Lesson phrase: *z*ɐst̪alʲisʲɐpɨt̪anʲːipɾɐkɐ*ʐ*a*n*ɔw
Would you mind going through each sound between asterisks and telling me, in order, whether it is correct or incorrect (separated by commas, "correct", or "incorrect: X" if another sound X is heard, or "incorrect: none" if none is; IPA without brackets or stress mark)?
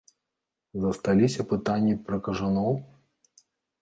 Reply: correct, correct, correct